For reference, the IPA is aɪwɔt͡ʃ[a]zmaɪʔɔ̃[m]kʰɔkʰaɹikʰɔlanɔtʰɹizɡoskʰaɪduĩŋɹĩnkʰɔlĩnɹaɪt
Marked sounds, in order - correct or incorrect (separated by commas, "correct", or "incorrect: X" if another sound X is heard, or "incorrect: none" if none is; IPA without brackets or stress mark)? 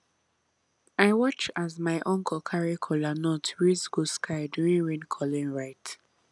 correct, incorrect: ŋ